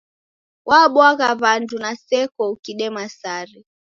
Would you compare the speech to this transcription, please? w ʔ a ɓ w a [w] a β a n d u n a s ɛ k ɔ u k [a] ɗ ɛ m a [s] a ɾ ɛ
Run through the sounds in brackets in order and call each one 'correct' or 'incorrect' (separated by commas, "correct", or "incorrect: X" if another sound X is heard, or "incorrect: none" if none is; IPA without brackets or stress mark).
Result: incorrect: ɣ, incorrect: i, correct